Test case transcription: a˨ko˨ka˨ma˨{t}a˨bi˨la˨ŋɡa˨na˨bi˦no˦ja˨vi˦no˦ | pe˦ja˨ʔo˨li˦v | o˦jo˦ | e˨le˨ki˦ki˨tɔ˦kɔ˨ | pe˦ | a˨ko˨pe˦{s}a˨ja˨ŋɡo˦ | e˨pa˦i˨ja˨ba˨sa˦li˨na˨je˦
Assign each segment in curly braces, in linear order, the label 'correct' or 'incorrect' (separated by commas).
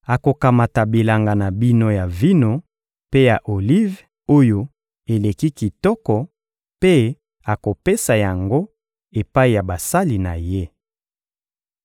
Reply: correct, correct